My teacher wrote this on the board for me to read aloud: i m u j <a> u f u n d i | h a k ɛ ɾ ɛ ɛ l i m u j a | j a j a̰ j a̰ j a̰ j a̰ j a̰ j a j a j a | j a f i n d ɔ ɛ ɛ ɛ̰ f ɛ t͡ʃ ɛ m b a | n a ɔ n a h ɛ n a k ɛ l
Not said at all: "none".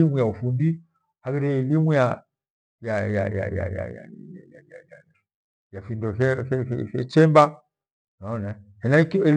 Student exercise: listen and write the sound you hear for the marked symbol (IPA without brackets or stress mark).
a